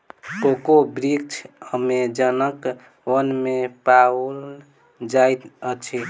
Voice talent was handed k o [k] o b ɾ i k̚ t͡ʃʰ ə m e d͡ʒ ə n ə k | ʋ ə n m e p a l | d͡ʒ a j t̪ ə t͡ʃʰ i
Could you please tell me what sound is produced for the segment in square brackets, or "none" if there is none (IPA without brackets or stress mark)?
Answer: k